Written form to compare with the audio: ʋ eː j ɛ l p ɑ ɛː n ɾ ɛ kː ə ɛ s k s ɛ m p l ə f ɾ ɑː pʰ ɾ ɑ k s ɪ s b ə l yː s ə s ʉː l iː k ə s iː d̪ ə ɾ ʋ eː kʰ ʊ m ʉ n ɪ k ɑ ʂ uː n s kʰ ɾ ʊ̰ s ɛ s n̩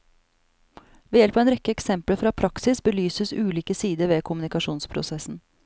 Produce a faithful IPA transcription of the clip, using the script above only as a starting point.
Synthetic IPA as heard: ʋ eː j ɛ l p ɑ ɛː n ɾ ɛ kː ə ɛ k s ɛ m p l ə f ɾ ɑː pʰ ɾ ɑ k s ɪ s b ə l yː s ə s ʉː l iː k ə s iː d̪ ə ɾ ʋ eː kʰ ʊ m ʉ n ɪ k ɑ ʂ uː n s pʰ ɾ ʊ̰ s ɛ s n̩